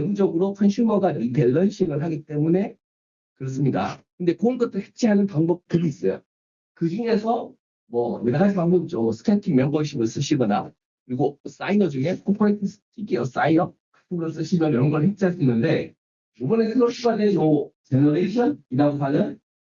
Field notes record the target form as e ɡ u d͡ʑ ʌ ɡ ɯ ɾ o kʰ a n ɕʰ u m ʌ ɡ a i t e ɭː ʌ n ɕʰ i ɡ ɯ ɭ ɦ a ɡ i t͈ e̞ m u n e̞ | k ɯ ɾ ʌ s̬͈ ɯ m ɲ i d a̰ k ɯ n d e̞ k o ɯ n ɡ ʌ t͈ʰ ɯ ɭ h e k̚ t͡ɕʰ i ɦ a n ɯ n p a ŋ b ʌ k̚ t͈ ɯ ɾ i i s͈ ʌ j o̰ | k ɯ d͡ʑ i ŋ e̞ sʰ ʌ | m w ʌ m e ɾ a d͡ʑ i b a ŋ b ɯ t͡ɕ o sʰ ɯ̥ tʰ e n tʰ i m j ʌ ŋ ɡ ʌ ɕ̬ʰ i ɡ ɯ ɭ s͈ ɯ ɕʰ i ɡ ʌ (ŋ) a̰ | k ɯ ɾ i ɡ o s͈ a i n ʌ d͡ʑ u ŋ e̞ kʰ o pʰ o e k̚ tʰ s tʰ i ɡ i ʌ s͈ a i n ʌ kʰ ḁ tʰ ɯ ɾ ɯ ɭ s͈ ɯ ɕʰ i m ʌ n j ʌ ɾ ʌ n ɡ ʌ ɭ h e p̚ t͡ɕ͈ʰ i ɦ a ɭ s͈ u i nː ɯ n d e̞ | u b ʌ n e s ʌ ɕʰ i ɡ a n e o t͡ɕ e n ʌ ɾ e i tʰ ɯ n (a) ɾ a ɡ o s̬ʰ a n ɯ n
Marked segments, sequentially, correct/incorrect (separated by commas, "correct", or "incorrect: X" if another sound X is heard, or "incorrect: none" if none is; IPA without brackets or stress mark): incorrect: n, incorrect: i